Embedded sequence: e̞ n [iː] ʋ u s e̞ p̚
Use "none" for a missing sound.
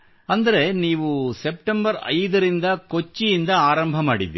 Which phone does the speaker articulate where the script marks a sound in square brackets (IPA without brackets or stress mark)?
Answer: iː